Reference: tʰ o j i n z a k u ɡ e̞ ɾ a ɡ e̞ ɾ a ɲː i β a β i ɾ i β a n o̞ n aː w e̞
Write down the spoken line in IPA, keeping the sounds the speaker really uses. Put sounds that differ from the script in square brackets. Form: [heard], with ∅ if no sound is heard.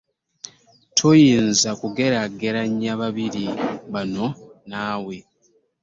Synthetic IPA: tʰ o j [iː] n z a k u ɡ e̞ ɾ a ɡ e̞ ɾ a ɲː [a] β a β i ɾ i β a n o̞ n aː w e̞

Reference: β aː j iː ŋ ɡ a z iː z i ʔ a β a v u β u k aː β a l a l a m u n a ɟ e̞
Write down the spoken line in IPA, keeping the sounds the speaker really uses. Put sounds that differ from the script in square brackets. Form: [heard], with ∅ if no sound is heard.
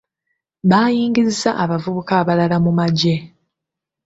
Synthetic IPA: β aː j iː ŋ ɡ [i] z [i] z [a] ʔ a β a v u β u k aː β a l a l a m u [m] a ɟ e̞

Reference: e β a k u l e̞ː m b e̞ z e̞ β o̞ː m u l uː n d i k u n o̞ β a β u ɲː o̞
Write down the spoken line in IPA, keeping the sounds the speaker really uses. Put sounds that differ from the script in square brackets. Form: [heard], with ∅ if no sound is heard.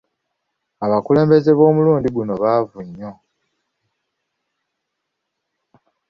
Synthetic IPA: [a] β a k u l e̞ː m b e̞ z e̞ β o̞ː m u l uː n d i [ɡ] u n o̞ β a [v] u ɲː o̞

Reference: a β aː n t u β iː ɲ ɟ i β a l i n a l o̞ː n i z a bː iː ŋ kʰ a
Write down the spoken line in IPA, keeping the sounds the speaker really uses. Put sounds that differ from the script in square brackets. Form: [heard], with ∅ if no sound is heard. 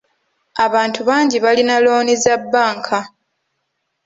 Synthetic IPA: a β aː n t u β [aː] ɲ ɟ i β a l i n a l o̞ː n i z a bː [aː] ŋ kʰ a

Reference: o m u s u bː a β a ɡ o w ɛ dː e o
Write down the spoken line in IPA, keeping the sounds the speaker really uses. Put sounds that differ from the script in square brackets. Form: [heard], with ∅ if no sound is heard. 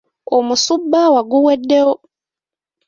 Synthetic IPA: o m u s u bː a [w] a ɡ [u] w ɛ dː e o

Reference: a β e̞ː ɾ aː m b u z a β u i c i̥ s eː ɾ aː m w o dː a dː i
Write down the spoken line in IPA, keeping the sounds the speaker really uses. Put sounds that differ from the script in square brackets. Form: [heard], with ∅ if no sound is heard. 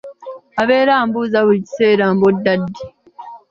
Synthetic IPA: a β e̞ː ɾ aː m b u z a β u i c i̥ s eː ɾ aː m [b] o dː a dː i

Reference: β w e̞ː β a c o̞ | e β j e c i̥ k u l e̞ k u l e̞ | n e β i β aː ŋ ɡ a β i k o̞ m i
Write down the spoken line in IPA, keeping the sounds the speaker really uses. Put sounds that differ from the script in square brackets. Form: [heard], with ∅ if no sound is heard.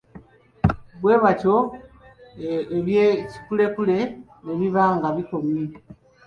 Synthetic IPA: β w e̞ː β a c o̞ | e β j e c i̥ k u l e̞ k u l e̞ | n e β i β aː ŋ ɡ a β i k o̞ m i

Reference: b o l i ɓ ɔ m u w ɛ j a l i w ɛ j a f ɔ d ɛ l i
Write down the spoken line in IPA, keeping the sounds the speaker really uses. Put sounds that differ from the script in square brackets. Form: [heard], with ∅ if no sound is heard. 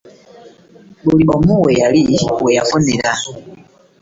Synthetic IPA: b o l i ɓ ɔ m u w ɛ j a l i w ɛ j a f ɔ [n] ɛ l [a]

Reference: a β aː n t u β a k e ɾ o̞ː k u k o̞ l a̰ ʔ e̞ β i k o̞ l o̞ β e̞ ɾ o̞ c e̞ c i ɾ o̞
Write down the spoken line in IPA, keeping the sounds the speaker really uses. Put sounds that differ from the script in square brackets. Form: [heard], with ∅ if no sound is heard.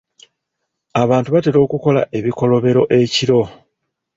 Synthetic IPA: a β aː n t u β a [t] e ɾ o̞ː k u k o̞ l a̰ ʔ e̞ β i k o̞ l o̞ β e̞ ɾ o̞ [ʔ] e̞ c i ɾ o̞

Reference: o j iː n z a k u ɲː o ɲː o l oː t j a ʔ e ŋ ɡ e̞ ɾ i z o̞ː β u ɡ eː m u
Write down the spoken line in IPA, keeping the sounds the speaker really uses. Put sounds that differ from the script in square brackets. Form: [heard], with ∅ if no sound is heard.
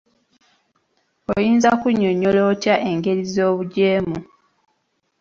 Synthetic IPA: o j iː n z a k u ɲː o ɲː o l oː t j a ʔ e ŋ ɡ e̞ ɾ i z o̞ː β u [ɟ] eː m u

